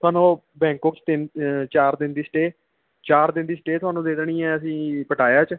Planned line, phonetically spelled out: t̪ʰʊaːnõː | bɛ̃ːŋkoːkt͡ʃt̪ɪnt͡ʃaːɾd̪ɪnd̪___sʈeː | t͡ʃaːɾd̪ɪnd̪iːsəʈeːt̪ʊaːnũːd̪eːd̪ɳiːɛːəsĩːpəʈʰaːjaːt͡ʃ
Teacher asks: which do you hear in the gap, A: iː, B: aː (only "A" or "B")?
A